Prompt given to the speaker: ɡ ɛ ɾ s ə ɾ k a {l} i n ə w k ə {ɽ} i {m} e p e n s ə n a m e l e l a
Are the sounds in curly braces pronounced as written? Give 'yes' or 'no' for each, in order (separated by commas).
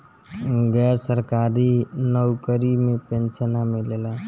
no, no, yes